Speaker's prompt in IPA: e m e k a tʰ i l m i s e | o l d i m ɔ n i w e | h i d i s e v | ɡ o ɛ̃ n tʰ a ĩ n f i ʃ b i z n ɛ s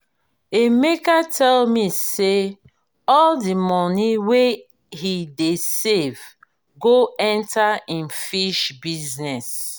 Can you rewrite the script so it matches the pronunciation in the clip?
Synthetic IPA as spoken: e m e k a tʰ ɛ l m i s e | ɔ l d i m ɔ n i w e | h i d e s e v | ɡ o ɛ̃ n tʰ a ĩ n f i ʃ b i z n ɛ s